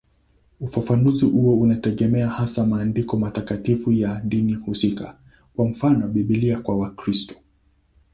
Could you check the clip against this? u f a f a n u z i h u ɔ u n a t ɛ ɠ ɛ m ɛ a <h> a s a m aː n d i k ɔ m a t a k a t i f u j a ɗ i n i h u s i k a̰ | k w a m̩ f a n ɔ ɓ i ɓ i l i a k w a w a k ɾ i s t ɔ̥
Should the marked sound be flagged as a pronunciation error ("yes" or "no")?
no